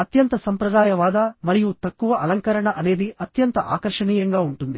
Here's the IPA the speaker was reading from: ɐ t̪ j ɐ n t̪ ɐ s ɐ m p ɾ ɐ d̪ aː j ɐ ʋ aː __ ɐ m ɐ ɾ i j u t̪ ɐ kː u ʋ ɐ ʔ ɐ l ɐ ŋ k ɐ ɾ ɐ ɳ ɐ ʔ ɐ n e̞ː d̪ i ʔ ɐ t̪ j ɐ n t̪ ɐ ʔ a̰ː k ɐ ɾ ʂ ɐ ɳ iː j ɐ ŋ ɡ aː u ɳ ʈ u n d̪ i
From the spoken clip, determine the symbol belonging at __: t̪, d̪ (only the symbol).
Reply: d̪